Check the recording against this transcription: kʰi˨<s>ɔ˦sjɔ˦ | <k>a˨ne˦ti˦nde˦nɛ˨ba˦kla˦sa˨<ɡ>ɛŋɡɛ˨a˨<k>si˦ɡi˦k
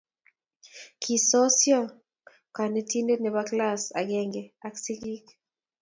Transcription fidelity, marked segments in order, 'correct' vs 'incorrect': correct, correct, correct, correct

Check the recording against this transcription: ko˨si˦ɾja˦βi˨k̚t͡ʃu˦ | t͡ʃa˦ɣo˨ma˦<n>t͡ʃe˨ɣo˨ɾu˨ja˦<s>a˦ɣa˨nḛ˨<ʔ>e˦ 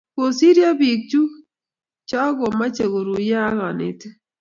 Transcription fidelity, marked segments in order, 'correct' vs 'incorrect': incorrect: none, incorrect: none, incorrect: t

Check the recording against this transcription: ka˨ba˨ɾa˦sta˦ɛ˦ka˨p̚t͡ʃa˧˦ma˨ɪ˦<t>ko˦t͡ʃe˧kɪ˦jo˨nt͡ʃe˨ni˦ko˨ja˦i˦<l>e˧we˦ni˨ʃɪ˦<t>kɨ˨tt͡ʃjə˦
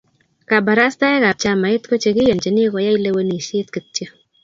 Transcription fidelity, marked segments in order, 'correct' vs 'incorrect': correct, correct, correct

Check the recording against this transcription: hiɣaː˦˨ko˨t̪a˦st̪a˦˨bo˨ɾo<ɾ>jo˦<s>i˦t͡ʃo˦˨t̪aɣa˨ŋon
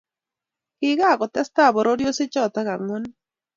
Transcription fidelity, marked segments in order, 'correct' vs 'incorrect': correct, correct

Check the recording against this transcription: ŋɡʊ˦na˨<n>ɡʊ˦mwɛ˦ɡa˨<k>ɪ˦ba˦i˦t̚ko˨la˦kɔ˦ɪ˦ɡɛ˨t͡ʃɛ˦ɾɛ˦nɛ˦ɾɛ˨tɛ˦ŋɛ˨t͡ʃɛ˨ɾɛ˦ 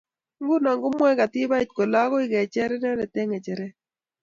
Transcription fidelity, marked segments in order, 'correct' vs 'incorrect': incorrect: ŋ, incorrect: t

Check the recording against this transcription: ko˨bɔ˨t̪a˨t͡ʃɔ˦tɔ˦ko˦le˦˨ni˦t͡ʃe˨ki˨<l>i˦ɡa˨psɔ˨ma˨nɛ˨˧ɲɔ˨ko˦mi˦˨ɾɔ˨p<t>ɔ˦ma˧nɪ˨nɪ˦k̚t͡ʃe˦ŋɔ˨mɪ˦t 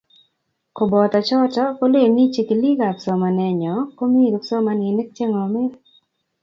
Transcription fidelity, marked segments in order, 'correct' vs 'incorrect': correct, incorrect: s

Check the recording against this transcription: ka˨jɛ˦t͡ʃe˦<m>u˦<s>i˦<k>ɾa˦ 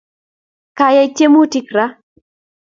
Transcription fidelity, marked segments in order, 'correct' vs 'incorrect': correct, incorrect: t, correct

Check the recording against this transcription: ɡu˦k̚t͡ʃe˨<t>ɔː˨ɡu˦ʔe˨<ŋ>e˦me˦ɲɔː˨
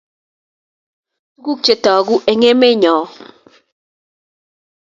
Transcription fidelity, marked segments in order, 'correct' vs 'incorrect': correct, correct

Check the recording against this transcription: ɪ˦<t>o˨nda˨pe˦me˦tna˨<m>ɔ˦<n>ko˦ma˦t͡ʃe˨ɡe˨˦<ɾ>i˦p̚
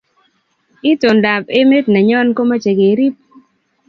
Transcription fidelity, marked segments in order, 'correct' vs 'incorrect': correct, incorrect: ɲ, correct, correct

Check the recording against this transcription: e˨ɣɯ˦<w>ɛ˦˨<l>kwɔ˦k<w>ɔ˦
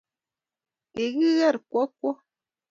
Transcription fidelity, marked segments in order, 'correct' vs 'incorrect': incorrect: ɣ, incorrect: ɾ, correct

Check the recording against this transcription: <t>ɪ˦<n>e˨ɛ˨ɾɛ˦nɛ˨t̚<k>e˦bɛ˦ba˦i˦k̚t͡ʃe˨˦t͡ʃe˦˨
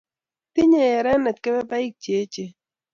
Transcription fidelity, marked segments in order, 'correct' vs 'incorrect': correct, incorrect: ɲ, correct

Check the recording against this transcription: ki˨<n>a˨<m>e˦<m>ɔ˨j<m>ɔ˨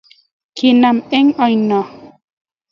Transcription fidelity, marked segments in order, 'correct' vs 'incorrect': correct, correct, incorrect: ŋ, incorrect: n

